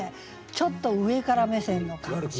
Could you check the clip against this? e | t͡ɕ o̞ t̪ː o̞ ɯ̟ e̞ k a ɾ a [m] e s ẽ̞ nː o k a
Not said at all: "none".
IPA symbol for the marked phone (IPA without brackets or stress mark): m